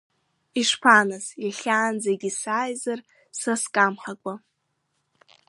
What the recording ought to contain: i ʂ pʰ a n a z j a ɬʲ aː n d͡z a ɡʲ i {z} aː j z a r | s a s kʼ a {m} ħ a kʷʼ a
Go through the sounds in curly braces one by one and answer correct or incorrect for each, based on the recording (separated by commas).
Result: incorrect, correct